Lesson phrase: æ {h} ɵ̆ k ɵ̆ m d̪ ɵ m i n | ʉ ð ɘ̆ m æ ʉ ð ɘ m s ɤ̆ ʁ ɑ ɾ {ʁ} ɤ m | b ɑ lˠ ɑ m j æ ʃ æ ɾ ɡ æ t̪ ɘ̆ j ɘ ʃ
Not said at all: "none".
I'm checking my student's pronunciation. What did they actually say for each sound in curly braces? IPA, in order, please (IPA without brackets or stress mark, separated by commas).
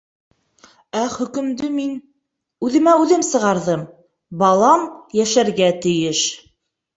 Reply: χ, ð